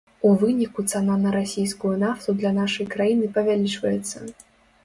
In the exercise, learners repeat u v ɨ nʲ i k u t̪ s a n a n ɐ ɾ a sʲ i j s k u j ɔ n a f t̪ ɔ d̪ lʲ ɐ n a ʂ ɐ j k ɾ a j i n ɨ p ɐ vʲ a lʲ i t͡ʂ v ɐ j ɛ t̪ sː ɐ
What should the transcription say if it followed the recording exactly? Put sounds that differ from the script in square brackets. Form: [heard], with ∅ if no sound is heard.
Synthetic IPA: u v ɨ nʲ i k u t̪ s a n a n ɐ ɾ a sʲ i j s k u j [u] n a f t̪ [u] d̪ lʲ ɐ n a ʂ ɐ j k ɾ a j i n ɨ p ɐ vʲ a lʲ i t͡ʂ v ɐ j ɛ t̪ sː ɐ